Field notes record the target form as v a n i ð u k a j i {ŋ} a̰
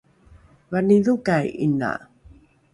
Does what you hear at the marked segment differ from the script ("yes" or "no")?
yes